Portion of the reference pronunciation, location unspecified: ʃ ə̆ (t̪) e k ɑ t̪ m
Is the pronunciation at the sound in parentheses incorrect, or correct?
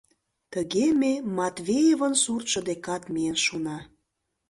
incorrect